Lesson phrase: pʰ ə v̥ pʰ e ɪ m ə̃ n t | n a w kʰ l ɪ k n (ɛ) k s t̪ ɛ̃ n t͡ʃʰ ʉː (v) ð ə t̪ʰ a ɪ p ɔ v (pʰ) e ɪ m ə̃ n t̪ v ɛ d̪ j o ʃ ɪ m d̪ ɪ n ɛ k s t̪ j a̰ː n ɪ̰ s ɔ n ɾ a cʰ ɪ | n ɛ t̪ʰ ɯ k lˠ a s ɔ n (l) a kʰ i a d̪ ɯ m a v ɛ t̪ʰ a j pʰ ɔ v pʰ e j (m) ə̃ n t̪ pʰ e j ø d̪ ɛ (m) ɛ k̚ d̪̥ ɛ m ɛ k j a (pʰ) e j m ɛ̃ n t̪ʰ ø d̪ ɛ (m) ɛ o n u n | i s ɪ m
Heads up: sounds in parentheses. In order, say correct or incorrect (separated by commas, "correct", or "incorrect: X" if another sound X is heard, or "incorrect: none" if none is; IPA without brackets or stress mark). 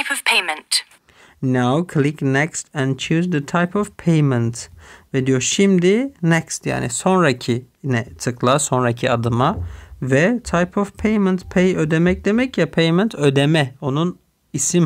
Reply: correct, incorrect: z, correct, incorrect: ɾ, correct, correct, correct, correct